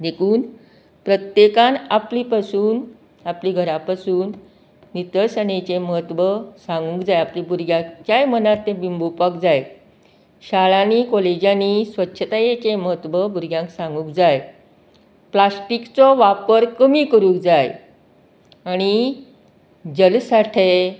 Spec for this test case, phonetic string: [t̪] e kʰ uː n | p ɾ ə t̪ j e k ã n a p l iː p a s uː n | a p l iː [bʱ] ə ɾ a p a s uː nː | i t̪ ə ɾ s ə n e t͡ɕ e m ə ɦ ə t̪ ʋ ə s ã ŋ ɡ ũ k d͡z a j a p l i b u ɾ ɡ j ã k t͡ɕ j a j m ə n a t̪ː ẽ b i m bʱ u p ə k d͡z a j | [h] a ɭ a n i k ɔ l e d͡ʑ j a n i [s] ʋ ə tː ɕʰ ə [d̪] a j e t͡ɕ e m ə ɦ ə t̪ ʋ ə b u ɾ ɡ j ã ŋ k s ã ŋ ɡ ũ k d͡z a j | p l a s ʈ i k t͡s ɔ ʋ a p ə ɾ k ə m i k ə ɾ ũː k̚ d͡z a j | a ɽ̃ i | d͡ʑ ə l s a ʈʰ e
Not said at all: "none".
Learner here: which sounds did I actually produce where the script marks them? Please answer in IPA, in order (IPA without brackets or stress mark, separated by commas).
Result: d̪, ɡʱ, ɕ, s, t̪